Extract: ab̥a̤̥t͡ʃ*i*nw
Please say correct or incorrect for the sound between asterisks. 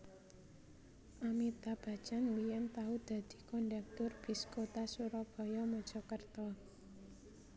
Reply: incorrect